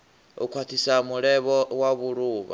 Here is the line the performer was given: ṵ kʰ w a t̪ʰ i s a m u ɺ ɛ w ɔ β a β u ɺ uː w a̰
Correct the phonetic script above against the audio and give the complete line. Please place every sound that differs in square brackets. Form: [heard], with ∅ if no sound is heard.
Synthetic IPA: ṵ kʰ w a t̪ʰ i s a m u ɺ ɛ [β] ɔ [w] a β u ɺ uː [β] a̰